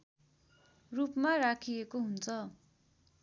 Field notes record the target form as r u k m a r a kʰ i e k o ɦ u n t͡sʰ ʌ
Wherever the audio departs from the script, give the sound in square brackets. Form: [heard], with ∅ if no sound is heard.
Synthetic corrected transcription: r u [p] m a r a kʰ i e k o ɦ u n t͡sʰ ʌ